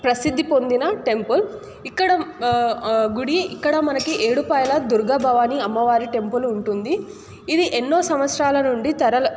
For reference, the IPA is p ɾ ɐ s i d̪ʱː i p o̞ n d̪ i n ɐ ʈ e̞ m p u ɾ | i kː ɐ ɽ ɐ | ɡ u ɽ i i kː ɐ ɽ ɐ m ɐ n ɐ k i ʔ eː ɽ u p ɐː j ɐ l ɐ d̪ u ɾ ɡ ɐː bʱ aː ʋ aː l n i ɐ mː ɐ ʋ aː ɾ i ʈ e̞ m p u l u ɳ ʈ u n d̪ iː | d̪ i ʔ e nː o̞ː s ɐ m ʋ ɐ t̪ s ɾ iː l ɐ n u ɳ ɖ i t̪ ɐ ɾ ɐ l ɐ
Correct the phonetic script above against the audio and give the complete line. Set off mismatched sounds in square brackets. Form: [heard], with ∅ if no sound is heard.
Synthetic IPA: p ɾ ɐ s i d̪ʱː i p o̞ n d̪ i n ɐ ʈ e̞ m p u [l] | i kː ɐ ɽ ɐ | ɡ u ɽ i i kː ɐ ɽ ɐ m ɐ n ɐ k i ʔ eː ɽ u p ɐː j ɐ l ɐ d̪ u ɾ ɡ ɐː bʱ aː ʋ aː [∅] n i ɐ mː ɐ ʋ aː ɾ i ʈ e̞ m p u l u ɳ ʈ u n d̪ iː | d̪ i ʔ e nː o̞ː s ɐ m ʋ ɐ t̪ s ɾ [aː] l ɐ n u ɳ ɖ i t̪ ɐ ɾ ɐ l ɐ